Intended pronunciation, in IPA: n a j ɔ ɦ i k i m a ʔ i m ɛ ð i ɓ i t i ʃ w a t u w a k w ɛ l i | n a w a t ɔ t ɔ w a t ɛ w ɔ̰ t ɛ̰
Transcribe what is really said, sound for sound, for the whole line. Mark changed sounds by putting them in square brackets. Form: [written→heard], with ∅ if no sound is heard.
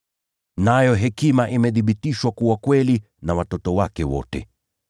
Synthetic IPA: n a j ɔ ɦ [i→ɛ] k i m a ʔ i m ɛ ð i ɓ i t i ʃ w a [t→k] u w a k w ɛ l i | n a w a t ɔ t ɔ w a [t→k] ɛ w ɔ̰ t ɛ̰